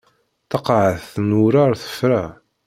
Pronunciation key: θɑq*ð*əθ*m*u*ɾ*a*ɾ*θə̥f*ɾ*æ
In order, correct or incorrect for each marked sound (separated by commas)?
incorrect, incorrect, correct, correct, correct